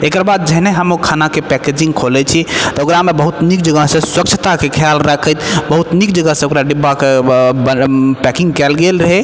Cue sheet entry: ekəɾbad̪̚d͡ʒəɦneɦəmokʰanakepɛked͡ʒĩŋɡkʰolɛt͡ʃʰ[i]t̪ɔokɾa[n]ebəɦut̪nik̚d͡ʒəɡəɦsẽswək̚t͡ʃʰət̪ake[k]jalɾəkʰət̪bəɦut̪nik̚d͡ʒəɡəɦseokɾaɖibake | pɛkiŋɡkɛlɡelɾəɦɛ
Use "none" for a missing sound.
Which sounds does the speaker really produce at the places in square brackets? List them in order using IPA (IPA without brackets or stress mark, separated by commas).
i, m, kʰ